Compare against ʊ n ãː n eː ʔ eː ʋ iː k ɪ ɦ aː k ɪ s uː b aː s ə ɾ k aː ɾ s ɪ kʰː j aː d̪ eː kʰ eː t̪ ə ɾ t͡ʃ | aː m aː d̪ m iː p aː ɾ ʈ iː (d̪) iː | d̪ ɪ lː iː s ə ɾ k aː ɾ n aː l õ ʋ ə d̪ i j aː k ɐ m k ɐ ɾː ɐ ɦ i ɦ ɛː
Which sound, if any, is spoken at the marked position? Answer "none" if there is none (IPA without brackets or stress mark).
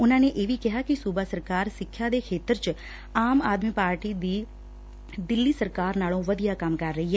d̪